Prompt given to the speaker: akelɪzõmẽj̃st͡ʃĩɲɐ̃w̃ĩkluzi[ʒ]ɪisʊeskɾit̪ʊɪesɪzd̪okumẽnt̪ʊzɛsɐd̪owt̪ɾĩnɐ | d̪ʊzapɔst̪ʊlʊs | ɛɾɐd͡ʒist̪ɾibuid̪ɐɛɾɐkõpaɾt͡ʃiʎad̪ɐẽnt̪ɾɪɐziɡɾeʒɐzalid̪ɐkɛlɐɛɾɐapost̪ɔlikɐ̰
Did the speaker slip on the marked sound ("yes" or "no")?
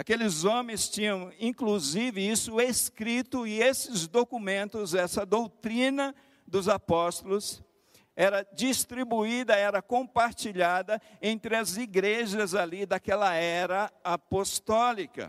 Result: yes